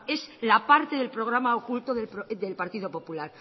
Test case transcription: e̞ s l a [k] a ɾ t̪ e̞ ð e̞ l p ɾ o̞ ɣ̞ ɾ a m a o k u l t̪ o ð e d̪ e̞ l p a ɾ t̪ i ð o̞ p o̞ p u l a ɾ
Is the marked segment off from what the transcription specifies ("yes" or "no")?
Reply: yes